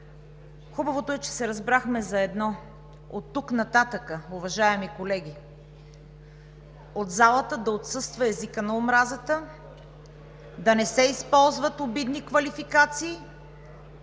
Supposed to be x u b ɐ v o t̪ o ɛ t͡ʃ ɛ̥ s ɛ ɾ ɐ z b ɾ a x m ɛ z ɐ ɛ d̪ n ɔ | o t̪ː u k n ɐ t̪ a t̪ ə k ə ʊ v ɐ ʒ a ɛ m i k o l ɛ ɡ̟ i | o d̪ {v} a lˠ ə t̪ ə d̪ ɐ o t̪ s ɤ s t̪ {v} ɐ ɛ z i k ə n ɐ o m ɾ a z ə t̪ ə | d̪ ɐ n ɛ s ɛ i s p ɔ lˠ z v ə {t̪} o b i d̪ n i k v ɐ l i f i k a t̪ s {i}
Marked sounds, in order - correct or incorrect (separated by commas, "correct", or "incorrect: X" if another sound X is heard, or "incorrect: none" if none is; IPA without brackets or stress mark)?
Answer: incorrect: z, correct, correct, incorrect: iː